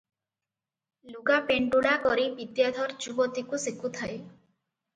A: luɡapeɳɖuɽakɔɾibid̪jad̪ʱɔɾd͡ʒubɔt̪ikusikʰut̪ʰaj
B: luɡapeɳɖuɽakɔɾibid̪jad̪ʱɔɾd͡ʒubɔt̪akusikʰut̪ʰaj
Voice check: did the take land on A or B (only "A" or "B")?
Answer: A